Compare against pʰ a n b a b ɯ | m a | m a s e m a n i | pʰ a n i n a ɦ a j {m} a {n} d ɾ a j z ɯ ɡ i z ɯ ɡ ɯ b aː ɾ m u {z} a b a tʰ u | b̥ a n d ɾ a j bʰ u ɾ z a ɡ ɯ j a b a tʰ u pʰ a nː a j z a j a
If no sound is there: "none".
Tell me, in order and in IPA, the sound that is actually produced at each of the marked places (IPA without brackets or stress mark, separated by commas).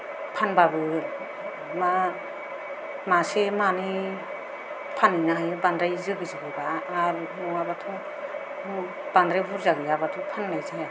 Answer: b, n, none